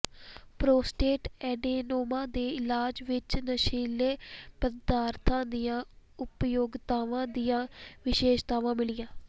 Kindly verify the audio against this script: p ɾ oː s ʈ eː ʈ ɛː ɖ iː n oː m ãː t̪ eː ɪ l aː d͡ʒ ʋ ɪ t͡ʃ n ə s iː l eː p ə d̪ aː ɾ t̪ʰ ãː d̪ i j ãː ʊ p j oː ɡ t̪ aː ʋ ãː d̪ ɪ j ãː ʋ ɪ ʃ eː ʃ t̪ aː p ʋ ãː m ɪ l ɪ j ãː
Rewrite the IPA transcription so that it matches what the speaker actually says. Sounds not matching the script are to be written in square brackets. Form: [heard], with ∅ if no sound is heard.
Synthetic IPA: p ɾ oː s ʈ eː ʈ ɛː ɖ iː n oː m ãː [d̪] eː ɪ l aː d͡ʒ ʋ ɪ t͡ʃ n ə [ʃ] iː l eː p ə d̪ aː ɾ t̪ʰ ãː d̪ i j ãː ʊ p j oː ɡ t̪ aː ʋ ãː d̪ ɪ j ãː ʋ ɪ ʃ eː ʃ t̪ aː [∅] ʋ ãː m ɪ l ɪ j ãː